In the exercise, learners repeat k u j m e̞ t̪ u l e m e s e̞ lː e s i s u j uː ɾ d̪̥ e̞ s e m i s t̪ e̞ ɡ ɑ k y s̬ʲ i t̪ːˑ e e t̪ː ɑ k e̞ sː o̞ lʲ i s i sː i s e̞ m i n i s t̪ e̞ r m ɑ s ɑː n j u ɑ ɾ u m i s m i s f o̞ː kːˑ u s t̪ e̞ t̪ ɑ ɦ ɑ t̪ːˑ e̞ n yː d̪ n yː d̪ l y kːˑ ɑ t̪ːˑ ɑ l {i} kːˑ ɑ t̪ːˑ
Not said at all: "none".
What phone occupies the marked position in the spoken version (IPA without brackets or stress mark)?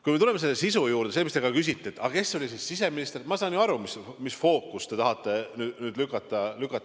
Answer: y